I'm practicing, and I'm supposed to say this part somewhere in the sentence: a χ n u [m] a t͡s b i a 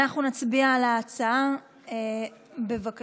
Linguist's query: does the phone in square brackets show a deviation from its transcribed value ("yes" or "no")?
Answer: yes